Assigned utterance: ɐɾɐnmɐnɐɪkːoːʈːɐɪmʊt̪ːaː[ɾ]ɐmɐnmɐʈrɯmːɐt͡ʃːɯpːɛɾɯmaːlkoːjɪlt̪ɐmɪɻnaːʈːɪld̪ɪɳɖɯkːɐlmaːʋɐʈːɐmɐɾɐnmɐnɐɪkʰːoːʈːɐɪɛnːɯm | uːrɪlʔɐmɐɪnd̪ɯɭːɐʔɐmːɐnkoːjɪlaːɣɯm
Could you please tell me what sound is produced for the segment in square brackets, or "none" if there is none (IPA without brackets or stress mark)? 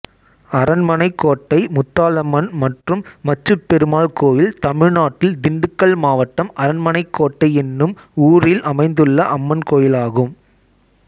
l